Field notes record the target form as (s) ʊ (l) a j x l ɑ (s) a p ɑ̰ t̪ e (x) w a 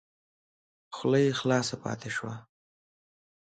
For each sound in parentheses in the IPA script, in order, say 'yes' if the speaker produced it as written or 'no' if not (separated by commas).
no, yes, yes, no